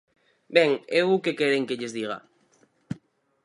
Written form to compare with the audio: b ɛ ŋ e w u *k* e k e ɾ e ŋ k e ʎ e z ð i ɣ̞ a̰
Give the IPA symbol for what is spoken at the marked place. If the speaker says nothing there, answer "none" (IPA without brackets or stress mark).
k